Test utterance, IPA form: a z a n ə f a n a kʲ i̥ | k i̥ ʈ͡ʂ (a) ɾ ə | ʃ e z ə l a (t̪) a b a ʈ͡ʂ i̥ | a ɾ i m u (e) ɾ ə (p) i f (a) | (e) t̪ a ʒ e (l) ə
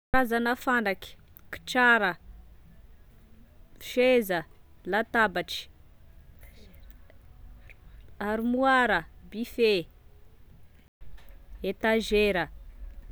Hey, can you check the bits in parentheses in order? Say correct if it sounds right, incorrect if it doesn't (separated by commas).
correct, correct, incorrect, incorrect, incorrect, correct, incorrect